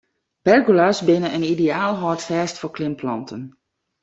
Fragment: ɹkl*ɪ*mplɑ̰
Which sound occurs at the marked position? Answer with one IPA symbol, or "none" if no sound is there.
ɪ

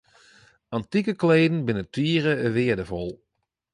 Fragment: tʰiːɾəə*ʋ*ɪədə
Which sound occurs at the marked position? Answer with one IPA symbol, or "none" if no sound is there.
ʋ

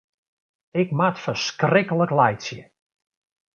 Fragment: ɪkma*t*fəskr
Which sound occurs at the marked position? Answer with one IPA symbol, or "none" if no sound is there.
t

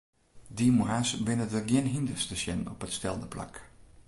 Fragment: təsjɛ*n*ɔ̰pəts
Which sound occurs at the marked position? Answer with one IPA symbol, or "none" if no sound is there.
n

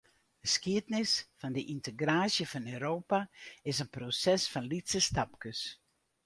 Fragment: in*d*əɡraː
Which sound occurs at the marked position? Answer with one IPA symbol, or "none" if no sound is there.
t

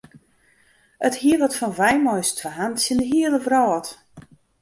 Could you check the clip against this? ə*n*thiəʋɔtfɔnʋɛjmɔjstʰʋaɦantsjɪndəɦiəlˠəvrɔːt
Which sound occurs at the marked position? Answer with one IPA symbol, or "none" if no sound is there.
none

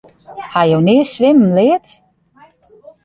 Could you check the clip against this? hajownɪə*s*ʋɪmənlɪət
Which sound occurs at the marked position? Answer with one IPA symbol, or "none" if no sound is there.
s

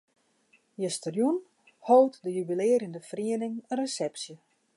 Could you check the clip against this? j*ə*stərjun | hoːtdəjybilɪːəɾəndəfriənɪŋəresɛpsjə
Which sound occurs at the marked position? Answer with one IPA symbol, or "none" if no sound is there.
ə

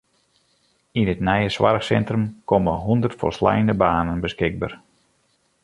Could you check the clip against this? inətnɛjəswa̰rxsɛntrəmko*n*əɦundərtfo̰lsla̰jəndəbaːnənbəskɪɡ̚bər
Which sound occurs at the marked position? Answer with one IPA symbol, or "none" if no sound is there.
m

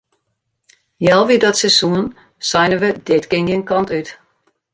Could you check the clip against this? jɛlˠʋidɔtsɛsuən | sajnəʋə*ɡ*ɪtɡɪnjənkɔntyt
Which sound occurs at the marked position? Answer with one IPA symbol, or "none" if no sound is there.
d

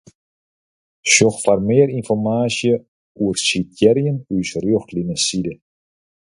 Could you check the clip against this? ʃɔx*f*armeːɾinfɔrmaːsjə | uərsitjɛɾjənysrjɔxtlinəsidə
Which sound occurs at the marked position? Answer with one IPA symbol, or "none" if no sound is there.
f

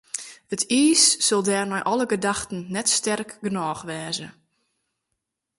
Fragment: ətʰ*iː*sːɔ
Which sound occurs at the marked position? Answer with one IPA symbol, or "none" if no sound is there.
iː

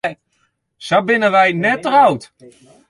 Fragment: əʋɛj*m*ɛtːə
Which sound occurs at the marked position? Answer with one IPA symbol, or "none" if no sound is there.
n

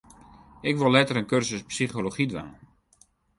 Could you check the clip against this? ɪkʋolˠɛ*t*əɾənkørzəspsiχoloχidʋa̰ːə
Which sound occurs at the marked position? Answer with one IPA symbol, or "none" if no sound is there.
t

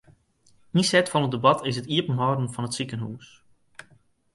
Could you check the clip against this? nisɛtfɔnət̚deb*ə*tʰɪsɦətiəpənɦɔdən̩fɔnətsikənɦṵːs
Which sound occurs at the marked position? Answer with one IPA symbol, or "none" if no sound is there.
ɑ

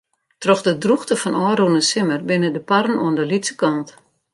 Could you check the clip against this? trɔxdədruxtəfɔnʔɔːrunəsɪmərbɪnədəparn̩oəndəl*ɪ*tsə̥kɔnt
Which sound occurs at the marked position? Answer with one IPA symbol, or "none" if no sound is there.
i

